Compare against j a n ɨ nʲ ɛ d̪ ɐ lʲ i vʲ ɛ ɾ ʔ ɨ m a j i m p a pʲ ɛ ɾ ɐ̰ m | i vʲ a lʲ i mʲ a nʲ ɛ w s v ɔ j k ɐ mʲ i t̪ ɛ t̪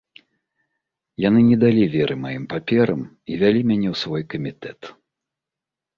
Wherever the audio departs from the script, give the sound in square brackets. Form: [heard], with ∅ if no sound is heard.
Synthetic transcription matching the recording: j a n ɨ nʲ ɛ d̪ [a] lʲ i vʲ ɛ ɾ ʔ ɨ m a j i m p a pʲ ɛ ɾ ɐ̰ m | i vʲ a lʲ i mʲ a nʲ ɛ w s v ɔ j k ɐ mʲ i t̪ ɛ t̪